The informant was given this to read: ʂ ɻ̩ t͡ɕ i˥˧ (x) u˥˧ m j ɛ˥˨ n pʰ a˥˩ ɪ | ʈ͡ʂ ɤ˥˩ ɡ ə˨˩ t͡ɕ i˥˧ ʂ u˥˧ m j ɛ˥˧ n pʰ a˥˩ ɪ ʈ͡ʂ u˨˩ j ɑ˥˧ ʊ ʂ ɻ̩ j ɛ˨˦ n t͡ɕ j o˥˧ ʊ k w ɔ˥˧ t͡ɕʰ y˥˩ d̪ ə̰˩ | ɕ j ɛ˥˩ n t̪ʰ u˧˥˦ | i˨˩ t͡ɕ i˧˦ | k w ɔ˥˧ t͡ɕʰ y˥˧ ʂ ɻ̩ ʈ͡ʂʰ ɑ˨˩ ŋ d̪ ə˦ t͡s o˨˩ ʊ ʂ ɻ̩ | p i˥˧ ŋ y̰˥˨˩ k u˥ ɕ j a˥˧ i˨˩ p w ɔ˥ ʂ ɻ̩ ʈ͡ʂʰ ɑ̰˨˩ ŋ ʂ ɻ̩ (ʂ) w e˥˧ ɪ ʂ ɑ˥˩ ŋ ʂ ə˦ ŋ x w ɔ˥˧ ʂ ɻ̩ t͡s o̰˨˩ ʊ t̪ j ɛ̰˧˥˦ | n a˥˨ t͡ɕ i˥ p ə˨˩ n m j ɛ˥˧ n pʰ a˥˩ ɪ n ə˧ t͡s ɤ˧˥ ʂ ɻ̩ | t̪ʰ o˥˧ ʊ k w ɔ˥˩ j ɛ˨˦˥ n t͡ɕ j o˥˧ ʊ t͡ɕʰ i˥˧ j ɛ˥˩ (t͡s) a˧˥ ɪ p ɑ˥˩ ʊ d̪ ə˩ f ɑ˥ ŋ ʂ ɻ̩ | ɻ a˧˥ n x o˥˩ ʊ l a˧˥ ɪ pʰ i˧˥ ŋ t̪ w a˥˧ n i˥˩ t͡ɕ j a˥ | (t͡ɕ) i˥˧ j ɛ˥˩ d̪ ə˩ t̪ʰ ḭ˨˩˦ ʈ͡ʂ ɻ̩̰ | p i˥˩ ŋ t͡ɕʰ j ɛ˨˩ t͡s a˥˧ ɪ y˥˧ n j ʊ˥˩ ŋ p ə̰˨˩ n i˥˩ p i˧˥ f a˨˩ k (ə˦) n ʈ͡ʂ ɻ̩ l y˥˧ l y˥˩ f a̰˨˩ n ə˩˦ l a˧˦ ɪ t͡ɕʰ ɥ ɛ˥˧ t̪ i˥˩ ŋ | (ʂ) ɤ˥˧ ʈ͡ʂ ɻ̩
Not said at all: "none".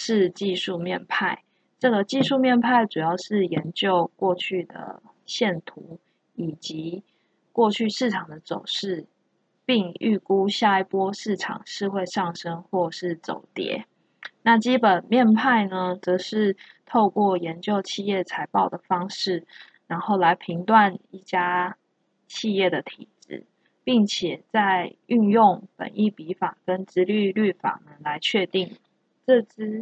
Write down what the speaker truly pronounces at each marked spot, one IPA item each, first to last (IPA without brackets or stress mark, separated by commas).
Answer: ʂ, x, t͡sʰ, t͡ɕʰ, ə˦, ʈ͡ʂ